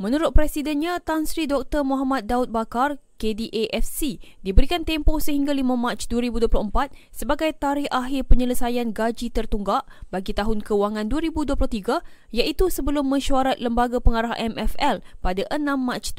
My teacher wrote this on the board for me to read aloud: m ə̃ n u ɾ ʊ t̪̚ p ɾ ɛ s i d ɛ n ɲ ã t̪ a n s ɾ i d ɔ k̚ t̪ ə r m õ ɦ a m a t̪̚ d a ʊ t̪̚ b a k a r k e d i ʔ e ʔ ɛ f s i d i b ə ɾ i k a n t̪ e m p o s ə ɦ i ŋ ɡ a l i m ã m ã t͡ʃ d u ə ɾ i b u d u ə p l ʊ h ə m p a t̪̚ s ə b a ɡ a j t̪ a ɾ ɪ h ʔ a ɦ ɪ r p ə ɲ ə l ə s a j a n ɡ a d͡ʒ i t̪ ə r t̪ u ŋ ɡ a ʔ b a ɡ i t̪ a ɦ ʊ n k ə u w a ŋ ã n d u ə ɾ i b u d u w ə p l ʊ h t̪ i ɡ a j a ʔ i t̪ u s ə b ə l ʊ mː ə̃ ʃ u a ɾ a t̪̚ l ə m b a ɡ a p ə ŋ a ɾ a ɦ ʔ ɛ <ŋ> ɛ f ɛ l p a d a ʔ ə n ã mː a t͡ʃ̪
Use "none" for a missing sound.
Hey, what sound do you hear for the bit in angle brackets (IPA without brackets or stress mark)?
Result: m